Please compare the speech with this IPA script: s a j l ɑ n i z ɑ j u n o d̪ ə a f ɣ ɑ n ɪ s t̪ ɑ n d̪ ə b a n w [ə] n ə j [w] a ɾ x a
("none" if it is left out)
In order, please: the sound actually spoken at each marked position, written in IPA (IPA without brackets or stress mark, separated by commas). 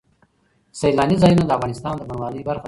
ɑ, b